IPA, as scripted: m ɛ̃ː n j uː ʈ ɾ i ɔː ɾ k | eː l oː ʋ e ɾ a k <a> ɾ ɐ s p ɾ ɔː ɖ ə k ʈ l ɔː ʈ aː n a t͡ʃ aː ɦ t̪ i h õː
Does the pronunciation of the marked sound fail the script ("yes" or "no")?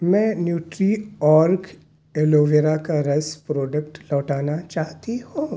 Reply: no